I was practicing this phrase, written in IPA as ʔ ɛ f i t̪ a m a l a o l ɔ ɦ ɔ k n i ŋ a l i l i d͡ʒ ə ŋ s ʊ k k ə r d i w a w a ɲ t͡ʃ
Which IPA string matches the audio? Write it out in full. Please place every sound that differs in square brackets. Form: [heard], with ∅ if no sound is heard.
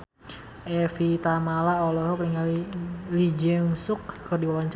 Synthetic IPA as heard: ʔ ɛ f i t̪ a m a l a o l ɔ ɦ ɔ k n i ŋ a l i l i d͡ʒ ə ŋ s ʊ k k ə r d i w a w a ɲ t͡ʃ